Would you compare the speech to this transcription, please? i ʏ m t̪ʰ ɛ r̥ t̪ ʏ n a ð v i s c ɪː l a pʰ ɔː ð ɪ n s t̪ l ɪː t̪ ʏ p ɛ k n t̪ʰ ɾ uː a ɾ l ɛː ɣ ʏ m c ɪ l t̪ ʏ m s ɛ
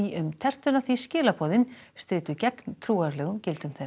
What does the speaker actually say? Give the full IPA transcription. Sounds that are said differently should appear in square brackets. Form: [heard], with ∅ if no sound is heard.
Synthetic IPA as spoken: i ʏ m t̪ʰ ɛ r̥ t̪ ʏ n a [θ] v i s c ɪː l a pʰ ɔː ð ɪ n s t̪ [ɾ] ɪː t̪ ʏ [c] ɛ k n t̪ʰ ɾ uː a ɾ l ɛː ɣ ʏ m c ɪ l t̪ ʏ m [θ] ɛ